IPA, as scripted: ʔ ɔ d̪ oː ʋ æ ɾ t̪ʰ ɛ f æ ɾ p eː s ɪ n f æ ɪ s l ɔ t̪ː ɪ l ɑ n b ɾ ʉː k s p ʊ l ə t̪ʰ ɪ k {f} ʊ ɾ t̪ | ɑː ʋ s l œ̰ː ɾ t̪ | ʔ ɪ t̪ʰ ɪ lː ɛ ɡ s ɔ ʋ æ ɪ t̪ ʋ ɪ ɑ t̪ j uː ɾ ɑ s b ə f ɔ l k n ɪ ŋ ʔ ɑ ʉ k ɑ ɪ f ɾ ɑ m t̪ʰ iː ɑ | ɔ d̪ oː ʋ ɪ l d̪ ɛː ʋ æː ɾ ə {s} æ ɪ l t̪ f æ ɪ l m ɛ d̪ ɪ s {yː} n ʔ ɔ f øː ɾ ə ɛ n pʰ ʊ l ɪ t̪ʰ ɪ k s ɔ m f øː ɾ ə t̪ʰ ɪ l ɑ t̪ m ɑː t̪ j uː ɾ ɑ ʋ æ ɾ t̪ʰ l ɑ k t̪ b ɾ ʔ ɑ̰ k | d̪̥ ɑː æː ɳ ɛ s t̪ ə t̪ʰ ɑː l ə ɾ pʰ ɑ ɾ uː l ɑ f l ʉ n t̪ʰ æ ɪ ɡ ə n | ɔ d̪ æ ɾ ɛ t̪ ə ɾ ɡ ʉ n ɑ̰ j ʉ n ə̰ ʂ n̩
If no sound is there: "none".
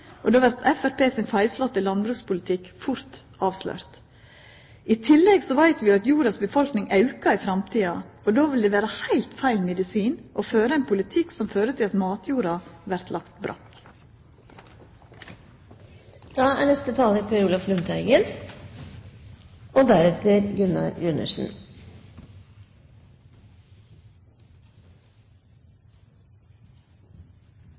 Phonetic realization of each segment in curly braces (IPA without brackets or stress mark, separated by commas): f, h, iː